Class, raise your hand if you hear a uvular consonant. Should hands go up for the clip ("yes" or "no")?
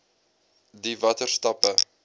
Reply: no